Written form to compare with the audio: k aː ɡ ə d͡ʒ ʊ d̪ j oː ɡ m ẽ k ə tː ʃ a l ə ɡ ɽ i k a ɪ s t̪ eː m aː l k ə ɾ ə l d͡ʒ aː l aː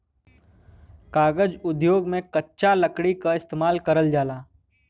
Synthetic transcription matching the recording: k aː ɡ ə d͡ʒ ʊ d̪ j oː ɡ m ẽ k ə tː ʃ a l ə k ɽ i k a ɪ s t̪ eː m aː l k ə ɾ ə l d͡ʒ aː l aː